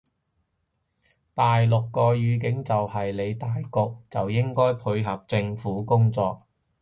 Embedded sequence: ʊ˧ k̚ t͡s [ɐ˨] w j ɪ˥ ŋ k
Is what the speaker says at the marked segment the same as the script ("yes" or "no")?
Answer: yes